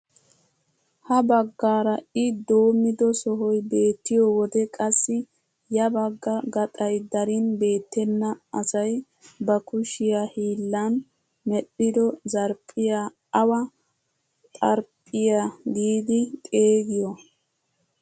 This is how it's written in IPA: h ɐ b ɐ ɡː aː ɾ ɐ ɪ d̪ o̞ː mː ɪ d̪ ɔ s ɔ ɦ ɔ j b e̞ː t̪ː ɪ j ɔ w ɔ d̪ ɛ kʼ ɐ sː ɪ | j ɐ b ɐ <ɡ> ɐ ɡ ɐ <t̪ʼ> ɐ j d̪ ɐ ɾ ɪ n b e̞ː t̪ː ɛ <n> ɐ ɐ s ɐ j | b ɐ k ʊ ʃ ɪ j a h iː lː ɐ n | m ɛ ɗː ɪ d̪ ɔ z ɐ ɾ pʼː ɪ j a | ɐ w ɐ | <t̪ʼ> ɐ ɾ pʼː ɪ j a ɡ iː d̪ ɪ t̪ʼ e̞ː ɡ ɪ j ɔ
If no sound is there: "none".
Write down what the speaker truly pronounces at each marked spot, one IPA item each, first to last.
ɡː, t̪ʼ, nː, t̪ʼ

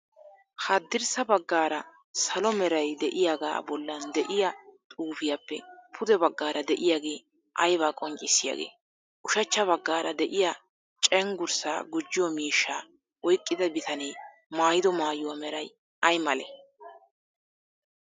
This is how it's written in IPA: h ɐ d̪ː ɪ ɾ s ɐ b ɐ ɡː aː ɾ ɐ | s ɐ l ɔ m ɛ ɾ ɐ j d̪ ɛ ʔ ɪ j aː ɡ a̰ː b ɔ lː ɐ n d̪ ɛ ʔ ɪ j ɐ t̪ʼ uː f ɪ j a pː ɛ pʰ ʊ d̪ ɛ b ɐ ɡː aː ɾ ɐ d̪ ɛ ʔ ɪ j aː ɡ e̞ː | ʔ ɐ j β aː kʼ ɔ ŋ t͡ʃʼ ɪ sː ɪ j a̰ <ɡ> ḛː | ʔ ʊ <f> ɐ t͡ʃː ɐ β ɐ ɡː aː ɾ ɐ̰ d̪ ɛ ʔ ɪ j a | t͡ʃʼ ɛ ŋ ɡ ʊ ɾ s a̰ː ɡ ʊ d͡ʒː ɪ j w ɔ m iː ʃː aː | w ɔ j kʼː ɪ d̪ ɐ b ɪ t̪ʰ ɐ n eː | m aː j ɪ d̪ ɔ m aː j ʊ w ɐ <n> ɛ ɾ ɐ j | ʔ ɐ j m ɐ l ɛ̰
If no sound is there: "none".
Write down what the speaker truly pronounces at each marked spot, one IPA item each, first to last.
ɡ, ʃ, m

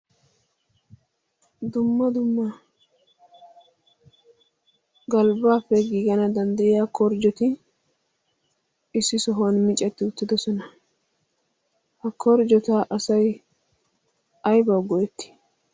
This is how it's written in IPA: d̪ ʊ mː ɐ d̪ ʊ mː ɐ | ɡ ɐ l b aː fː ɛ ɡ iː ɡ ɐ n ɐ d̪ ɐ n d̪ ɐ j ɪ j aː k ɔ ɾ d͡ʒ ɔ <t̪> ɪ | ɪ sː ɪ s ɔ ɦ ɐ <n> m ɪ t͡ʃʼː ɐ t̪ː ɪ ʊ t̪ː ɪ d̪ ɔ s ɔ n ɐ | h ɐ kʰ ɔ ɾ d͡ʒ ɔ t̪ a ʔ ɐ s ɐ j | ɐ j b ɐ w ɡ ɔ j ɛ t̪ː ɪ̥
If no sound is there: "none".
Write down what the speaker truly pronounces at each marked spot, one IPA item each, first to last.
t̪, n

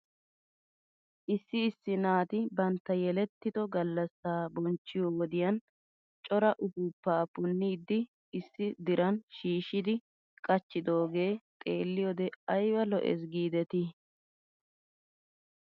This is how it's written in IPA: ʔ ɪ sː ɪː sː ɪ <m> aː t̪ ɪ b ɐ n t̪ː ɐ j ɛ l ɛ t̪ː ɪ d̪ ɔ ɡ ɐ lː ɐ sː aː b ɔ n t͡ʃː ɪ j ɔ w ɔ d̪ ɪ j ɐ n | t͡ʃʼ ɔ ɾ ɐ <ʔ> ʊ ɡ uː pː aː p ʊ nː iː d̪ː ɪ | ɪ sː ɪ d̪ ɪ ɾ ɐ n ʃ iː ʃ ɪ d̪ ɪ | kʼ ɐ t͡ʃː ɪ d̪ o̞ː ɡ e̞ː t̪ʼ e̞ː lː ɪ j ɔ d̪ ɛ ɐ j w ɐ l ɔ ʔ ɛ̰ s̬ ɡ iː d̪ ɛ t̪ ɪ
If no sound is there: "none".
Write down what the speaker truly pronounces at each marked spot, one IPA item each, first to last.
n, ʔ

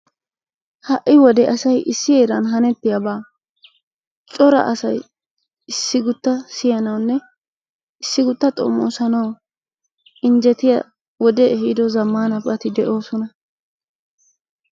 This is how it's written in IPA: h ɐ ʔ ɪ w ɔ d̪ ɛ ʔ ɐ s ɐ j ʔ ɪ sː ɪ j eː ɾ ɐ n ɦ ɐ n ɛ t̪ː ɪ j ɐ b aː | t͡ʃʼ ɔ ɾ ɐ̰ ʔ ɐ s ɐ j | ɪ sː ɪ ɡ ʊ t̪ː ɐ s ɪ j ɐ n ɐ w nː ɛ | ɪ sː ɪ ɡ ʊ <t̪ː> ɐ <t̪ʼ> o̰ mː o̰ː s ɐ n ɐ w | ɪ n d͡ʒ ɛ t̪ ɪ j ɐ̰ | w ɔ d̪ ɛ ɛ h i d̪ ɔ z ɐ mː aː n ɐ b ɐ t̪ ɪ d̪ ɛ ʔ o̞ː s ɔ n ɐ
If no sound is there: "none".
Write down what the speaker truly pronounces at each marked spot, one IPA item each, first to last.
t̪ː, t̪ʼ

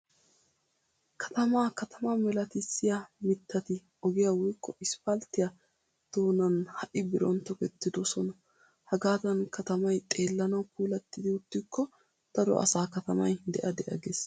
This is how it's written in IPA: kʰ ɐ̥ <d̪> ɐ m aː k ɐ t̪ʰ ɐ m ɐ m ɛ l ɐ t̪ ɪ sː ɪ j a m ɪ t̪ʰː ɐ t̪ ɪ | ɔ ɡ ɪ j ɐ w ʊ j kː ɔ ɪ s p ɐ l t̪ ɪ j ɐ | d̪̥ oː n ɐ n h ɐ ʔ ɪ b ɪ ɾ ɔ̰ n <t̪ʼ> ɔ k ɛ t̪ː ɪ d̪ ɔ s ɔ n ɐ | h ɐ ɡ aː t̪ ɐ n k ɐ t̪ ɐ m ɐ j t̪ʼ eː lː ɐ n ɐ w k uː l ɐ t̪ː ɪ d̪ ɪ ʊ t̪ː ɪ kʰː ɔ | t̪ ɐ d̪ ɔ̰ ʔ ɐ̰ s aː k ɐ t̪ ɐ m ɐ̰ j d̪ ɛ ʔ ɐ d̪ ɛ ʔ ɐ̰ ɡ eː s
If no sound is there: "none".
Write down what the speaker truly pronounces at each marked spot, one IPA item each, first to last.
t̪, t̪

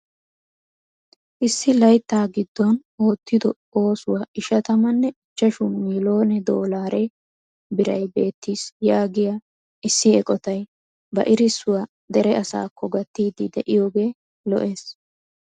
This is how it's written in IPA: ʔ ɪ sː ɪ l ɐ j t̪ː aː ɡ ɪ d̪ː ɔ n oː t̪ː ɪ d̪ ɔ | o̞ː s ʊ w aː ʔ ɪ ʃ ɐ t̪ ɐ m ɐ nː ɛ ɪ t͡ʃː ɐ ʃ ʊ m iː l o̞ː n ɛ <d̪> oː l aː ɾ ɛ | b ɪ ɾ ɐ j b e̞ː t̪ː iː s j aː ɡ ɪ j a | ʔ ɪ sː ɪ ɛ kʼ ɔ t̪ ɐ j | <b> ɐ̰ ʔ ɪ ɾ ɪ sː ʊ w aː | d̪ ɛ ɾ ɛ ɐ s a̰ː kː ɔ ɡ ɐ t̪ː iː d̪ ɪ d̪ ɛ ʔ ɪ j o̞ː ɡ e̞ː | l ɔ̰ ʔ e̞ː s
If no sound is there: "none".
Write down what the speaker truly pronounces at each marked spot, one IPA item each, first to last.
d̪, b

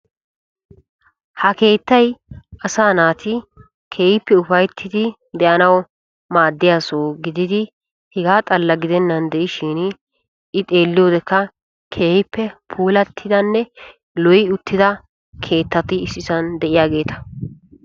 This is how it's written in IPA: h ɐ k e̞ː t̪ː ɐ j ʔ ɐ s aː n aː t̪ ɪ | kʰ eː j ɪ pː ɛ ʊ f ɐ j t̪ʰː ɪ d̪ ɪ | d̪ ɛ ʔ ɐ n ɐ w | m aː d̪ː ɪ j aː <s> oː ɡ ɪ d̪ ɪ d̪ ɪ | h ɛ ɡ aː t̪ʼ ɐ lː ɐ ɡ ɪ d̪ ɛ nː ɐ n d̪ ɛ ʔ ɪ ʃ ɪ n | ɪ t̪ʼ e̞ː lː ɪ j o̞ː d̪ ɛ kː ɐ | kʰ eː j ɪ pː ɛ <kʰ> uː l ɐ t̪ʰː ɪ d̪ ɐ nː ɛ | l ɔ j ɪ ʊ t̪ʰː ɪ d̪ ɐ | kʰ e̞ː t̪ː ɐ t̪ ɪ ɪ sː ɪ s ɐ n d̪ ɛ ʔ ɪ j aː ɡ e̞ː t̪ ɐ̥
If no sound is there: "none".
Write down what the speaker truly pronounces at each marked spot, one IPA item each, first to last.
s, pʰ

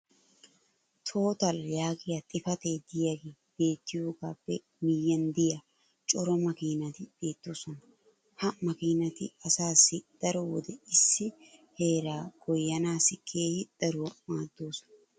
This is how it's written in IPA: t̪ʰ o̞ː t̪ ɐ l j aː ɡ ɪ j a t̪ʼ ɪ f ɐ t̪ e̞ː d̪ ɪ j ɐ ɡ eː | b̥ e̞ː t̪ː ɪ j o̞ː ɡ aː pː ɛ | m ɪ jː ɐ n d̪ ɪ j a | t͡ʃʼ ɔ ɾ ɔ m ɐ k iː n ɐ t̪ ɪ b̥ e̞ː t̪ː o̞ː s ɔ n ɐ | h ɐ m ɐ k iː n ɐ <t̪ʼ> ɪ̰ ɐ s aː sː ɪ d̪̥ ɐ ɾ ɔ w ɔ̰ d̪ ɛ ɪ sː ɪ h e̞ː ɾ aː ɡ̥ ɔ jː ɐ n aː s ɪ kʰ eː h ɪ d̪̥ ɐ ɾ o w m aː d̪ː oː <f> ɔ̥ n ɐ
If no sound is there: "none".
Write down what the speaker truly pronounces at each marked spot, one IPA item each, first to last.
t̪, s

